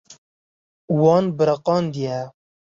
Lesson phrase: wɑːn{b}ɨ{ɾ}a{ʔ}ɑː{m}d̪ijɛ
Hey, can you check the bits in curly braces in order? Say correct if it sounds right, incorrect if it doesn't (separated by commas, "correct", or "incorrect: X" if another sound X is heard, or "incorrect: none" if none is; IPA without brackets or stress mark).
correct, correct, incorrect: q, incorrect: n